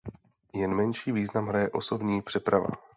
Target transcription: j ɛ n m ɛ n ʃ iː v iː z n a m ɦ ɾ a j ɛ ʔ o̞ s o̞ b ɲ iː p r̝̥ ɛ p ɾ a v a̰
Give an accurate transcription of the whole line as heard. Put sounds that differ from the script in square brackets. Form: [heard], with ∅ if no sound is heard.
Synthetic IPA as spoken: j ɛ n m ɛ n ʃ iː v iː z n a m ɦ ɾ a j ɛ ʔ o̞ s o̞ b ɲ iː p r̝̥ ɛ p ɾ a v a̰